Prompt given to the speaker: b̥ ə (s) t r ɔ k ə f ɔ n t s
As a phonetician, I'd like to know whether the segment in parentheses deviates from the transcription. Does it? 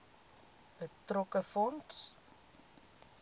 yes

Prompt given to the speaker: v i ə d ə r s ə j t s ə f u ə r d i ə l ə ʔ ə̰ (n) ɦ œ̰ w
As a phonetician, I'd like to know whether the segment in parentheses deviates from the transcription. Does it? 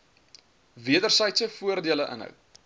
no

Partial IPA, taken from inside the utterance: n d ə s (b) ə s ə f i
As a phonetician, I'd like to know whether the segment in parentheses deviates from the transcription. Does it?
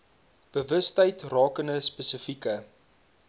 yes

